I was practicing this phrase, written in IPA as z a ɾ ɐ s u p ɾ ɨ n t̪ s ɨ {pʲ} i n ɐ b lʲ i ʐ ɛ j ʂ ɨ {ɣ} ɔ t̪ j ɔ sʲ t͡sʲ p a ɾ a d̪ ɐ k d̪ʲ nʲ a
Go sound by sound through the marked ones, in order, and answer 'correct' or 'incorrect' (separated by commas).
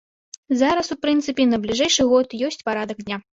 correct, correct